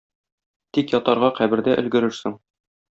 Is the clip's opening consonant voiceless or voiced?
voiceless